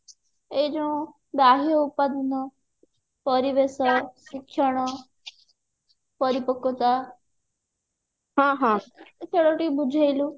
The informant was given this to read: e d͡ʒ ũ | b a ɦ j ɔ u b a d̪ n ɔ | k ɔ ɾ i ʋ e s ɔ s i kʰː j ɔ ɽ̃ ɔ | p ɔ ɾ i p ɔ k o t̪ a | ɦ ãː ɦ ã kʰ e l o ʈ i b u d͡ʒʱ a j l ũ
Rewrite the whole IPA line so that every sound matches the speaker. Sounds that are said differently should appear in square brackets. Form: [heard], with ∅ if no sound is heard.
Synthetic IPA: e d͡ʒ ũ | b a ɦ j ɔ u [p] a d̪ n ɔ | [p] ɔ ɾ i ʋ e s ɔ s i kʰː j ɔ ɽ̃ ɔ | p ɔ ɾ i p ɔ k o t̪ a | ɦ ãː ɦ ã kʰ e [ɽ] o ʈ i b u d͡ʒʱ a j l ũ